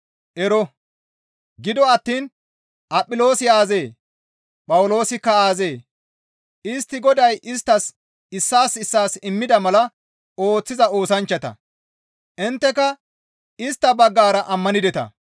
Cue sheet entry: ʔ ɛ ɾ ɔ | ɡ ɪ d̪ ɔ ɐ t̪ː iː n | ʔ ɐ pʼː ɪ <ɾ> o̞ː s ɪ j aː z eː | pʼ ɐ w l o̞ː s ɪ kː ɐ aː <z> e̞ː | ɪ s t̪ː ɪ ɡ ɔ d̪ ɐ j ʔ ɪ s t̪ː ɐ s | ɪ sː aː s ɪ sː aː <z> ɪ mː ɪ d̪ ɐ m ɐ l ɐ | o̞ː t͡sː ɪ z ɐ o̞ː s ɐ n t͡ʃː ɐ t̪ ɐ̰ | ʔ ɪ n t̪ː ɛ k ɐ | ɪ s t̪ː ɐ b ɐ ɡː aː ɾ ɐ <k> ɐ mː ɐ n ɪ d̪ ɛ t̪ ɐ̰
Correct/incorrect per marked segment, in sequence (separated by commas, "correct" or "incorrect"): incorrect, correct, incorrect, incorrect